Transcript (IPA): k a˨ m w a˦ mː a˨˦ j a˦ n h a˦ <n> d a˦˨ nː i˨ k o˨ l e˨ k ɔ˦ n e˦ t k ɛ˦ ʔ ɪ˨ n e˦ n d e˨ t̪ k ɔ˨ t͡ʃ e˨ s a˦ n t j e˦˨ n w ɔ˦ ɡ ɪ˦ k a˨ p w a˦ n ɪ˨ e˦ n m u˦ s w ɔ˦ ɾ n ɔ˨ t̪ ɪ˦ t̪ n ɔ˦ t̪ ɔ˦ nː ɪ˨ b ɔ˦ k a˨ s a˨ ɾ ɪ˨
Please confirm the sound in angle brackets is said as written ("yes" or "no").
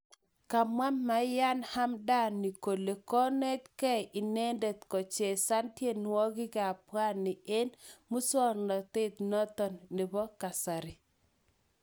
no